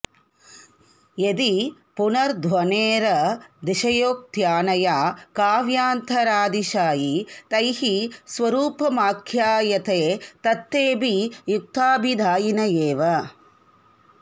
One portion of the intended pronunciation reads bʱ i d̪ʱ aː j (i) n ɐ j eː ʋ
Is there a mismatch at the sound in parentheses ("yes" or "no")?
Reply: no